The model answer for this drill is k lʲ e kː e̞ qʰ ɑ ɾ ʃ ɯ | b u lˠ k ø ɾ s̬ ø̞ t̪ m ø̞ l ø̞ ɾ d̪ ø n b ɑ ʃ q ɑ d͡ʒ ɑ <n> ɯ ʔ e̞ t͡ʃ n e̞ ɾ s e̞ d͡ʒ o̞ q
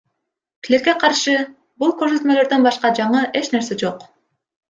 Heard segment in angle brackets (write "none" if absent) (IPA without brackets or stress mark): ɴ